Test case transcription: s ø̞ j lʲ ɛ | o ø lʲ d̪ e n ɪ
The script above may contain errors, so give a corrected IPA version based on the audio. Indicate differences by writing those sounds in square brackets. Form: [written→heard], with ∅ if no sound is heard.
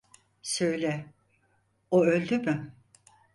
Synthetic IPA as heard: s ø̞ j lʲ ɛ | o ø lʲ d̪ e [n→m] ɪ